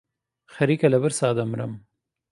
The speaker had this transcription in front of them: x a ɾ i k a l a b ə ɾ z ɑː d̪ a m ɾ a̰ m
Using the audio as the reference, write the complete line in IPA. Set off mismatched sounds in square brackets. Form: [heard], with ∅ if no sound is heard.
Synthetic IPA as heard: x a ɾ i k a l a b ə ɾ [s] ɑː d̪ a m ɾ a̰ m